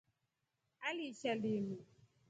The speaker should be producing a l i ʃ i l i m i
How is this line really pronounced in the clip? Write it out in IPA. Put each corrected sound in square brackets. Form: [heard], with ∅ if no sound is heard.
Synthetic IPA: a l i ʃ [a] l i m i

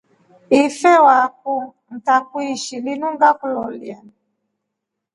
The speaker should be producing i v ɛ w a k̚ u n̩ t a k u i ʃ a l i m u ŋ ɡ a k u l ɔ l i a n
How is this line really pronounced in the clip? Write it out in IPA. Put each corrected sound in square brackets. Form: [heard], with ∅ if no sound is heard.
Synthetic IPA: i [f] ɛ w a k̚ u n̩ t a k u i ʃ [i] l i [n] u ŋ ɡ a k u l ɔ l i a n

